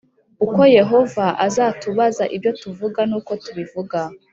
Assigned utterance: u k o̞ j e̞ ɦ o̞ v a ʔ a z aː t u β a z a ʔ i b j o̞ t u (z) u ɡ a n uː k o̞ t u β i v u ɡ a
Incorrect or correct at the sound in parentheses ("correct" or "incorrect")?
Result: incorrect